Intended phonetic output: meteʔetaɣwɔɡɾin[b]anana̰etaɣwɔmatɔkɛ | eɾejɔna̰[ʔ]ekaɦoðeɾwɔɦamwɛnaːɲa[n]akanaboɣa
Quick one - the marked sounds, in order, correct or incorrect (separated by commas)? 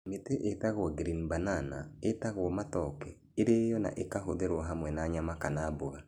correct, correct, incorrect